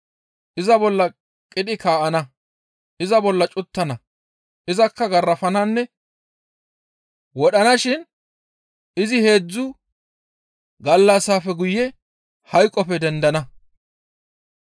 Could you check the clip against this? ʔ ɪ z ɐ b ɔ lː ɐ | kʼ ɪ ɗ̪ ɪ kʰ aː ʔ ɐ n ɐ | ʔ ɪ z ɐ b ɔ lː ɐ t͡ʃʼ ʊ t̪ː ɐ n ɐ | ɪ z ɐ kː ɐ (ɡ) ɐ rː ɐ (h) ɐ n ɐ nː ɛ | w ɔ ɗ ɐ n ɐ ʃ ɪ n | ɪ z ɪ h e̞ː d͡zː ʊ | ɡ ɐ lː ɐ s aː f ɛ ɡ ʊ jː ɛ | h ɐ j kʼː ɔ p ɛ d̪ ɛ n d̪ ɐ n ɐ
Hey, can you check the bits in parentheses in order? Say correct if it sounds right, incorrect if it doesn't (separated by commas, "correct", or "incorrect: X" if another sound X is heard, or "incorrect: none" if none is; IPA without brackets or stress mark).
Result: correct, incorrect: f